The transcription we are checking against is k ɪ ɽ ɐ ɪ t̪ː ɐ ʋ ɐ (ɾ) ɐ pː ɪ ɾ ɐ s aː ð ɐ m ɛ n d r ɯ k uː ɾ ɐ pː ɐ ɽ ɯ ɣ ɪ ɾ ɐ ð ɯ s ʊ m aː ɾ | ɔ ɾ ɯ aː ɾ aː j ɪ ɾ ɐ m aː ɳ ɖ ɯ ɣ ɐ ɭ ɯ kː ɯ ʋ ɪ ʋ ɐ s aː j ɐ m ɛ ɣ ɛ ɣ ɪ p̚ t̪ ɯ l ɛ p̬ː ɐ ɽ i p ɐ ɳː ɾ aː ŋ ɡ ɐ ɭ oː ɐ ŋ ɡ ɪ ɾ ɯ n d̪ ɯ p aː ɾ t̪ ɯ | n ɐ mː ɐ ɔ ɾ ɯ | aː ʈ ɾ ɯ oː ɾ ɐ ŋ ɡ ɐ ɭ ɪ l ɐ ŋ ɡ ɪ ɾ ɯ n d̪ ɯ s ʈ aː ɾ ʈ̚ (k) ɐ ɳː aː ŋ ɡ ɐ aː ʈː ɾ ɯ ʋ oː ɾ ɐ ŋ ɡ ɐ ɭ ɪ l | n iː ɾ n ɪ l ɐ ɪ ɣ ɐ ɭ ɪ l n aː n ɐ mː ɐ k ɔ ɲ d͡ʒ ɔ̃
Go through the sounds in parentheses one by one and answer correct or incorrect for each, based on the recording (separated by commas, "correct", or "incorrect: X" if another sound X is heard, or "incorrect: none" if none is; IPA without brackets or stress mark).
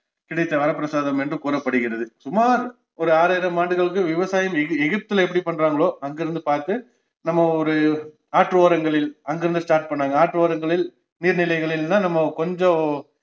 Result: correct, incorrect: p